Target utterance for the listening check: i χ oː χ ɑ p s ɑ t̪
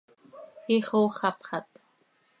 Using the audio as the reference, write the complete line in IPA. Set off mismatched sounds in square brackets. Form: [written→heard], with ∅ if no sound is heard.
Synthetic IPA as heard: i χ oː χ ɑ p [s→χ] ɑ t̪